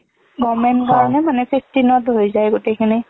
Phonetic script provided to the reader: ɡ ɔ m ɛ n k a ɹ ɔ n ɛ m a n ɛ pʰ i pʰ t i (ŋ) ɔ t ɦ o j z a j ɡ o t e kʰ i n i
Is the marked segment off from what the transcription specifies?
yes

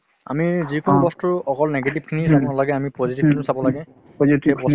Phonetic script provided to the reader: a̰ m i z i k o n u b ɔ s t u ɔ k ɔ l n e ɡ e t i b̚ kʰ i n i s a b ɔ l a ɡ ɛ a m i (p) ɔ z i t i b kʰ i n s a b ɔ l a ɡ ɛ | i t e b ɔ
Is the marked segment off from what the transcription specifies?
no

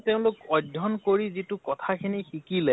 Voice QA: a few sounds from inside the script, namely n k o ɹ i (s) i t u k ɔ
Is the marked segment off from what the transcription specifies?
yes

